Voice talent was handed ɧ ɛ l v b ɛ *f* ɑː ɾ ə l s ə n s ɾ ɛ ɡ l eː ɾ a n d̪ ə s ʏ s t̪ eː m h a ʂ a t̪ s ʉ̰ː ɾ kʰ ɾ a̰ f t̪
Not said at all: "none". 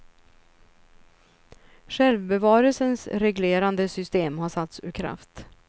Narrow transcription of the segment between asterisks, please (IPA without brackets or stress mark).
v